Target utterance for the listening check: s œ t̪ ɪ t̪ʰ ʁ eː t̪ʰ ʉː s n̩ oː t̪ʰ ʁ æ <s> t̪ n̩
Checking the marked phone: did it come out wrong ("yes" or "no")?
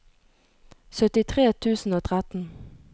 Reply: yes